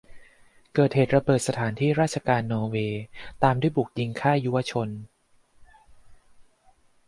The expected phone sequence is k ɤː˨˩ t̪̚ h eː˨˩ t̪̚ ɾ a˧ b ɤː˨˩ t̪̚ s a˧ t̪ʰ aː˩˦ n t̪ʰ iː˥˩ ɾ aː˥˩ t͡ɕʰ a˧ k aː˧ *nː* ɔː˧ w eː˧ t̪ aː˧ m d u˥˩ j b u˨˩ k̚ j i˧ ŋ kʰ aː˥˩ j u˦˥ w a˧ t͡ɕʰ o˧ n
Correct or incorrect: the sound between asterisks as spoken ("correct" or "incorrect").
correct